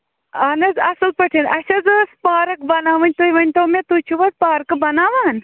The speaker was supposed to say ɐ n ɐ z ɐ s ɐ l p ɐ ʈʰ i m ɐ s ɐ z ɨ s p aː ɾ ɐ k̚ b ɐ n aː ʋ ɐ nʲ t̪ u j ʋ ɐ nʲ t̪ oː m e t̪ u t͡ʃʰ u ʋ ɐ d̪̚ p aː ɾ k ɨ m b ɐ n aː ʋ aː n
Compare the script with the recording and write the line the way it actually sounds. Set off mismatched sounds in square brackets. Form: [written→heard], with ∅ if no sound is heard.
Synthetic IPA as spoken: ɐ n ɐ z ɐ s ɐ l p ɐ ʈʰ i [m→n] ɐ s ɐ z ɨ s p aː ɾ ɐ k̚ b ɐ n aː ʋ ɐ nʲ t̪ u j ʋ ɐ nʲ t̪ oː m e t̪ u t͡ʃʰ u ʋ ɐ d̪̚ p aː ɾ k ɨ [m→∅] b ɐ n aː ʋ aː n

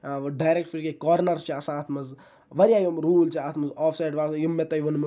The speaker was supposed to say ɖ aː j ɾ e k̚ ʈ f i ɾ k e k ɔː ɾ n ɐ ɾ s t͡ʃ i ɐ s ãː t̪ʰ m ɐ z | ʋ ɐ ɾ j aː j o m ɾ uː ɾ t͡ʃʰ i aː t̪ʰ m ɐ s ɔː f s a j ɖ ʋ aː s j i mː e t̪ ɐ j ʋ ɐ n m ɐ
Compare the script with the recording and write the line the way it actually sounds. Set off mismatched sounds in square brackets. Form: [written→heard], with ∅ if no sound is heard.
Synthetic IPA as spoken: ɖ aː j ɾ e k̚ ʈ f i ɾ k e k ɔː ɾ n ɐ ɾ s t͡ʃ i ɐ s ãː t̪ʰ m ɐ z | ʋ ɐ ɾ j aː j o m ɾ uː [ɾ→l] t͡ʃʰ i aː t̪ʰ m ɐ [s→z] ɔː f s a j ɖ ʋ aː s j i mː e t̪ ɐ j ʋ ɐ n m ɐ

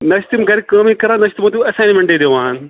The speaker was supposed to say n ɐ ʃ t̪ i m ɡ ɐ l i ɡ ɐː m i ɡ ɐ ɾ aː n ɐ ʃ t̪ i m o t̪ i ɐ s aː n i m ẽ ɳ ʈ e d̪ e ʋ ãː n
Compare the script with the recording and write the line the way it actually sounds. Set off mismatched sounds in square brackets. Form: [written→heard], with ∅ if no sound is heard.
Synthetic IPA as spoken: n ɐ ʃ t̪ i m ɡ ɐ [l→ɾ] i [ɡ→k] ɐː m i [ɡ→k] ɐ ɾ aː n ɐ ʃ t̪ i m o t̪ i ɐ s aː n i m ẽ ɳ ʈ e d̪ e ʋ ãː n

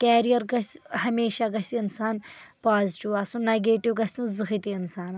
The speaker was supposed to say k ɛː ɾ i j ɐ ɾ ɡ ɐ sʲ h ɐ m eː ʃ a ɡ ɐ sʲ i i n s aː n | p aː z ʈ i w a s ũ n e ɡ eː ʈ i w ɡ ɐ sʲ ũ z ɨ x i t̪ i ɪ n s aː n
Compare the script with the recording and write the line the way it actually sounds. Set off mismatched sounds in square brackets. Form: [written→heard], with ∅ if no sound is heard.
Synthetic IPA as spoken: k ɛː ɾ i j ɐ ɾ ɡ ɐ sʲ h ɐ m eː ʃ a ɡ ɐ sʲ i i n s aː n | p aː z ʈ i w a s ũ n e ɡ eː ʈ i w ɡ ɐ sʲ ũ z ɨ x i t̪ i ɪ n s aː n

